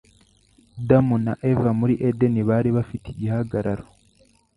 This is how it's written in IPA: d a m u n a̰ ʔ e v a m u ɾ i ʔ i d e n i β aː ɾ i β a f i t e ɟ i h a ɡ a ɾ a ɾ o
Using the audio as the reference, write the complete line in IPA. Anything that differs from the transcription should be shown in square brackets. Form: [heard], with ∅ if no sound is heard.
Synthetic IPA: d a m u n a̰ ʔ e v a m u ɾ i ʔ [e] d e n i β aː ɾ i β a f i t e ɟ i h a ɡ a ɾ a ɾ o

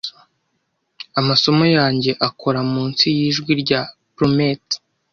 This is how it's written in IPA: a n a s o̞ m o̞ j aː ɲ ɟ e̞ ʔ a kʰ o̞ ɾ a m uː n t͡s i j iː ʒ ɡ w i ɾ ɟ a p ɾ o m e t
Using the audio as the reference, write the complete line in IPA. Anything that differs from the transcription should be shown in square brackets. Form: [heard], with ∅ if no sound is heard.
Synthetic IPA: a [m] a s o̞ m o̞ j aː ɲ ɟ e̞ ʔ a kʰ o̞ ɾ a m uː n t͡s i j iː ʒ ɡ w i ɾ ɟ a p ɾ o m e t

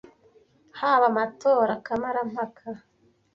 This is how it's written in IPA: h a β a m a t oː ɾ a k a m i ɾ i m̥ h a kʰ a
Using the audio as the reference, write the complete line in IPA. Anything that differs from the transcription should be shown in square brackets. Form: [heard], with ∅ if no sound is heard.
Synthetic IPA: h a β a m a t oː ɾ a k a m [a] ɾ [a] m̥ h a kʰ a

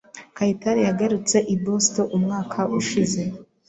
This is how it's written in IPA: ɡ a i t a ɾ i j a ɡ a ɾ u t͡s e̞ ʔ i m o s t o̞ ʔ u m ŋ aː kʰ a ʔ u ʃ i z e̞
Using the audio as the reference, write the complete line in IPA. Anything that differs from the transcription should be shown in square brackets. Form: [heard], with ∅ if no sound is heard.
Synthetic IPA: [k] a i t a ɾ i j a ɡ a ɾ u t͡s e̞ ʔ i [b] o s t o̞ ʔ u m ŋ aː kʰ a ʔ u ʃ i z e̞

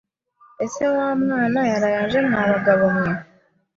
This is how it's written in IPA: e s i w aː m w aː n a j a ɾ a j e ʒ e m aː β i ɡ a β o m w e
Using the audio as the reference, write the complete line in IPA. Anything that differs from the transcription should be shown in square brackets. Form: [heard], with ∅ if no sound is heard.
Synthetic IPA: e s [e] w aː m w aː n a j a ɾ a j [a] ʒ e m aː β [a] ɡ a β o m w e

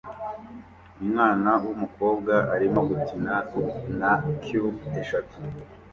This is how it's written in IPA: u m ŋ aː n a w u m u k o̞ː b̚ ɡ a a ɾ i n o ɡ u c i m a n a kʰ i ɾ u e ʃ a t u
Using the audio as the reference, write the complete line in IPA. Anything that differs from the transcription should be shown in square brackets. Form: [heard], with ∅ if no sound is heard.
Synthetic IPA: u m ŋ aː n a w u m u k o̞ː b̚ ɡ a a ɾ i [m] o ɡ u [t] i [n] a n a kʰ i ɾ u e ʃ a t u

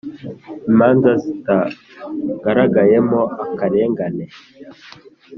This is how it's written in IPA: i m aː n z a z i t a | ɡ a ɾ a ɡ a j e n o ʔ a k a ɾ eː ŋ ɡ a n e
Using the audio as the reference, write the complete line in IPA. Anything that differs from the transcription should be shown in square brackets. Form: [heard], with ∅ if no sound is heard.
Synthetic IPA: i m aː n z a z i t a | ɡ a ɾ a ɡ a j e [m] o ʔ a k a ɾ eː ŋ ɡ a n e

